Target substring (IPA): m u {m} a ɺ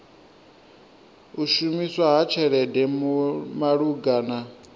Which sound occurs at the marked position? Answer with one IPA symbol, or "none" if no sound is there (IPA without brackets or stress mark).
m